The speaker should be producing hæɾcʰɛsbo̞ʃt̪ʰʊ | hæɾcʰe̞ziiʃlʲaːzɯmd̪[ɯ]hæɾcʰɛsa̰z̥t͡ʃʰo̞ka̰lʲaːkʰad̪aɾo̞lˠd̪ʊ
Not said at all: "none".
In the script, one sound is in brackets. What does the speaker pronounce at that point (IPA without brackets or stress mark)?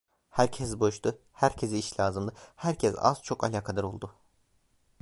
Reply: ɯ